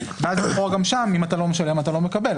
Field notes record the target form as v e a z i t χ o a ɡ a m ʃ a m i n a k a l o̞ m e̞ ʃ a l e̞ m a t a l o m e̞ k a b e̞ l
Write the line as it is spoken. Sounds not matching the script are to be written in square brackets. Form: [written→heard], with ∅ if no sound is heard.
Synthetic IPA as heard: v e a z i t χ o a ɡ a m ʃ a m i [n→m] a [k→t] a l o̞ m e̞ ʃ a l e̞ m a t a l o m e̞ k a b e̞ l

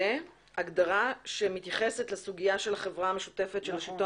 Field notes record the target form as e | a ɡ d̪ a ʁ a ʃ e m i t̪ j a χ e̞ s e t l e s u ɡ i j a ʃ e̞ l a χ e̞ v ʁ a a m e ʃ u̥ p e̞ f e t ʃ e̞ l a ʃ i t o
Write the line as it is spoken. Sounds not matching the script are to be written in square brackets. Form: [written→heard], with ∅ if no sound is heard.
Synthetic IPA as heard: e | a ɡ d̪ a ʁ a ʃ e m i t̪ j a χ e̞ s e t l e s u ɡ i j a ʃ e̞ l a χ e̞ v ʁ a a m e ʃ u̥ [p→t] e̞ f e t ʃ e̞ l a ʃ i t o

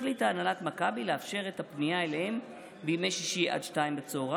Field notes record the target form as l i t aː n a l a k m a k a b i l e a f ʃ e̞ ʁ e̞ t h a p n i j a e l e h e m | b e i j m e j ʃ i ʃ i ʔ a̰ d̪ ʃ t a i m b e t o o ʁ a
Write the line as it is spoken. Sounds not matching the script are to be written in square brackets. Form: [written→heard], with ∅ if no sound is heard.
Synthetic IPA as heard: l i t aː n a l a [k→t] m a k a b i l e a f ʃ e̞ ʁ e̞ t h a p n i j a e l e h e m | b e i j m e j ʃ i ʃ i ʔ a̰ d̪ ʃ t a i m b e [t→t͡s] o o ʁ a

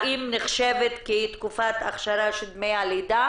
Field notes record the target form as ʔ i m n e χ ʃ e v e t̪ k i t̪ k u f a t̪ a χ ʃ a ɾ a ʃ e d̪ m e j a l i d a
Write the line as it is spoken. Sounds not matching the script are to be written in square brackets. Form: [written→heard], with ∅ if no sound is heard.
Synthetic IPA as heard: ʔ i m n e χ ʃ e v e t̪ k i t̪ k u f a t̪ a χ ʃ a ɾ a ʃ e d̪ m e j a l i d a

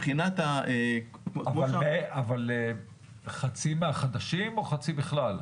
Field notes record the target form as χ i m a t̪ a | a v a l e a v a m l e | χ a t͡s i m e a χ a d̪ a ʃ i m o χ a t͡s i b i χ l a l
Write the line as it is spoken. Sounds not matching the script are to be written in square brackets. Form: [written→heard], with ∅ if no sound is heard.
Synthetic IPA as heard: χ i [m→n] a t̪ a | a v a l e a v a [m→∅] l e | χ a t͡s i m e a χ a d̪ a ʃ i m o χ a t͡s i b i χ l a l

